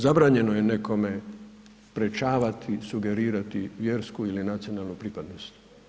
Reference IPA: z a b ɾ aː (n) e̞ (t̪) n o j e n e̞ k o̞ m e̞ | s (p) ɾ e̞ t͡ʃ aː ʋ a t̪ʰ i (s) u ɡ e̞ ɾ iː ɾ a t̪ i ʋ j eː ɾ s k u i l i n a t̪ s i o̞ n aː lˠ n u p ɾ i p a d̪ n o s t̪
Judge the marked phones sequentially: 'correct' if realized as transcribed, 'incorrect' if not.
incorrect: ɲ, incorrect: none, correct, correct

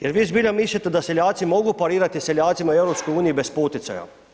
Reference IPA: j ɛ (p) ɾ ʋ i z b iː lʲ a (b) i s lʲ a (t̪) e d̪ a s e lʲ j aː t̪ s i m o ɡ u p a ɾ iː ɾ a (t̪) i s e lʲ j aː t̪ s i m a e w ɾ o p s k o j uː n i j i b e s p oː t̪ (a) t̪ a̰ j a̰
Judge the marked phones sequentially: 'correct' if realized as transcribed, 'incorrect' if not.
incorrect: none, incorrect: m, correct, correct, incorrect: i

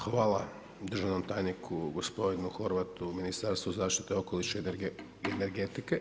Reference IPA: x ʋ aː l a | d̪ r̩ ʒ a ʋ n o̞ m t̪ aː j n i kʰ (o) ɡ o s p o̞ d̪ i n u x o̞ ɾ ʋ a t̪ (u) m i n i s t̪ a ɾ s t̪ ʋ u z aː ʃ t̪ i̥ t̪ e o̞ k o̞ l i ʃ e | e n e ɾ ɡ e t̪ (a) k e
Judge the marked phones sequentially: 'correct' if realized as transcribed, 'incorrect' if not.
incorrect: u, correct, incorrect: i

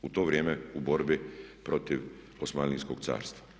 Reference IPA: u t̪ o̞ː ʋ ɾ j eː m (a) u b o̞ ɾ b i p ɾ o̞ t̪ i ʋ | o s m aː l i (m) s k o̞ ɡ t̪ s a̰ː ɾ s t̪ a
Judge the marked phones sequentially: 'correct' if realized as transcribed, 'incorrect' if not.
incorrect: e, incorrect: n

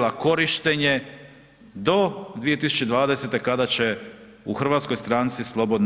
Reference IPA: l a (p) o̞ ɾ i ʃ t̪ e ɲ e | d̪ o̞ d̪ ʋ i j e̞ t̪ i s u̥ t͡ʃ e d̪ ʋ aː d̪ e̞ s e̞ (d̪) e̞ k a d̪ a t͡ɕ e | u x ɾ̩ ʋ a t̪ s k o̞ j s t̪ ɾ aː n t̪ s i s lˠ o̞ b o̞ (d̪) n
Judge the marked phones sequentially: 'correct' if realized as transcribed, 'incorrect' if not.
incorrect: k, incorrect: t̪, correct

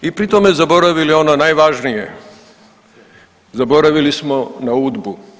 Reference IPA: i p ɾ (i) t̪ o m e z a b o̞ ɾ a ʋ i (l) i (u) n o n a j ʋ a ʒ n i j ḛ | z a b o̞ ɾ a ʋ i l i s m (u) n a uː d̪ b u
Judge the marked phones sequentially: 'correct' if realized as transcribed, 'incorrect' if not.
correct, correct, incorrect: o, incorrect: o

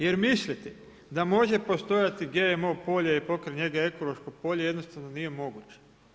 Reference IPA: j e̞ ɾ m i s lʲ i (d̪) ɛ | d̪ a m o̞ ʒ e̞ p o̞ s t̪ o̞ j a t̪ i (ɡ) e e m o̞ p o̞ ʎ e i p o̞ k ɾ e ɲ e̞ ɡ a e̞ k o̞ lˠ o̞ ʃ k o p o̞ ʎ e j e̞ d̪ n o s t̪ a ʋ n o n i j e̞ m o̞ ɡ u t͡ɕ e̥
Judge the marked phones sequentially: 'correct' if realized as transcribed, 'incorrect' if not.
incorrect: t̪, correct

